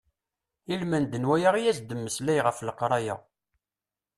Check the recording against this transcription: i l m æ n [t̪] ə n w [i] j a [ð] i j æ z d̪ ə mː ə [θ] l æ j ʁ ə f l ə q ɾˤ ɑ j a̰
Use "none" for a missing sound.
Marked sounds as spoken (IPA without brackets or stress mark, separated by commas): d̪, æ, ʁ, s